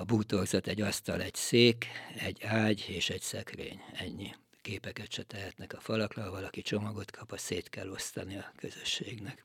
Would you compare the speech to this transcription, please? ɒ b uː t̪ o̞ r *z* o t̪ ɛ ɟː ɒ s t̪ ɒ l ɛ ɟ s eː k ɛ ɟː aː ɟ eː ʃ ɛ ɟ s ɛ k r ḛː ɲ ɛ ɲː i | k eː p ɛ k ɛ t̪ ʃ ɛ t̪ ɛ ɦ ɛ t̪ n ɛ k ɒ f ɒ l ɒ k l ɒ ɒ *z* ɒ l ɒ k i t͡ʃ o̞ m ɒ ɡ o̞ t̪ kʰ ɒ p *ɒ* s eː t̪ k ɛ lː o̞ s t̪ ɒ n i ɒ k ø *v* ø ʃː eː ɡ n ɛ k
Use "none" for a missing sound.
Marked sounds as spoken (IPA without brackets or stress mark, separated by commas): z, v, ɒ, z